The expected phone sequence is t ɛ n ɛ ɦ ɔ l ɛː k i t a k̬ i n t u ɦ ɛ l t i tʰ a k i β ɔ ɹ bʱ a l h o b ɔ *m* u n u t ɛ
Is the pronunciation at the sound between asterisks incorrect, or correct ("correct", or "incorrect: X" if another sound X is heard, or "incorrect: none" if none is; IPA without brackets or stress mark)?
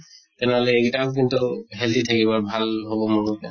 correct